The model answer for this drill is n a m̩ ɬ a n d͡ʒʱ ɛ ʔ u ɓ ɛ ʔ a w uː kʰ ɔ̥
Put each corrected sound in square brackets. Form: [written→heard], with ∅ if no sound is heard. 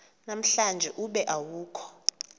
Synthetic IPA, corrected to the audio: n a m̩ ɬ a n d͡ʒʱ ɛ ʔ u ɓ ɛ ʔ a w uː kʰ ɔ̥